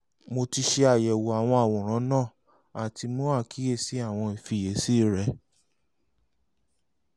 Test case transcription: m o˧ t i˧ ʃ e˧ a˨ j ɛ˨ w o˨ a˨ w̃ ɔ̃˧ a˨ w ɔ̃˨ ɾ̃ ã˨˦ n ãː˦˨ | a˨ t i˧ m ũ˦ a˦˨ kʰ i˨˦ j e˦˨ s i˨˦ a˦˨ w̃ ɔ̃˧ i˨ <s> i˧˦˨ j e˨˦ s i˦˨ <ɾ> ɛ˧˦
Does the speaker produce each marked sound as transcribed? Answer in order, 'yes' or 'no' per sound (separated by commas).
no, yes